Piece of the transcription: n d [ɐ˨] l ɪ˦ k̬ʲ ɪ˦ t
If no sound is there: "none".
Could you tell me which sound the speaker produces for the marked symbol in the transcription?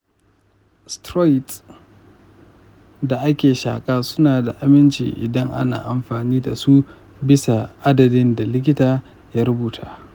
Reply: a˨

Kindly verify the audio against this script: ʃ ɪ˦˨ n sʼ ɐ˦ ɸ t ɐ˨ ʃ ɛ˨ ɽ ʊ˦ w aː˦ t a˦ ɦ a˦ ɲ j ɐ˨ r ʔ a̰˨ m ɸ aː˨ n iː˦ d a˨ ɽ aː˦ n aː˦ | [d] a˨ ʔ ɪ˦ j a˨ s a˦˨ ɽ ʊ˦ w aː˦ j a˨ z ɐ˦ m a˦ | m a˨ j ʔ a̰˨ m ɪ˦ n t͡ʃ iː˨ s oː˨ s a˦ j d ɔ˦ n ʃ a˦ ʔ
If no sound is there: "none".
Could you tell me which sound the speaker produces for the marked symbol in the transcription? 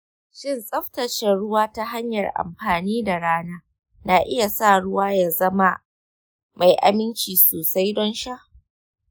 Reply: n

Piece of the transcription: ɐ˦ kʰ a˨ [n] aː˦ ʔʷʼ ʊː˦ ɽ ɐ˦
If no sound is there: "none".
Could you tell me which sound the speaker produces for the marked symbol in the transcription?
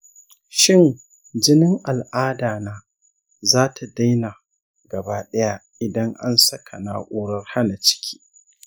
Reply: n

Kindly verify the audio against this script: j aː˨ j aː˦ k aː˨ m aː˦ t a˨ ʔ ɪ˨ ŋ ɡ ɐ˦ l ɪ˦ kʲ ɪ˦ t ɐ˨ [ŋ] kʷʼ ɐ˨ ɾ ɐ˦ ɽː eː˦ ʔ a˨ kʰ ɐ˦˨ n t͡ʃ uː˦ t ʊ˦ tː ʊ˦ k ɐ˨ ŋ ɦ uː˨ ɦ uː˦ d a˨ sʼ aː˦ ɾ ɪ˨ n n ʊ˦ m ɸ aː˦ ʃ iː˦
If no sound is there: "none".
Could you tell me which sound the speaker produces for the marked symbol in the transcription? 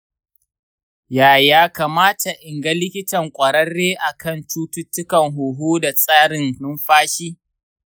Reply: ŋ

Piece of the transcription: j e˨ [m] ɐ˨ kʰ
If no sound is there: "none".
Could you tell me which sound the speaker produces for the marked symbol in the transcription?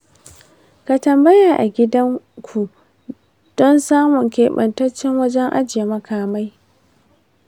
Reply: m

